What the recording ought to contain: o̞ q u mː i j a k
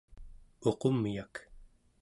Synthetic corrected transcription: o̞ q o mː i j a k